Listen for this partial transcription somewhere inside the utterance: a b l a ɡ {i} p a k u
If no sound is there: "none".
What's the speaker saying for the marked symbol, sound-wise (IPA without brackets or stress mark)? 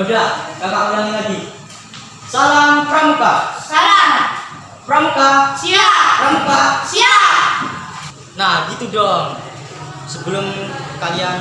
a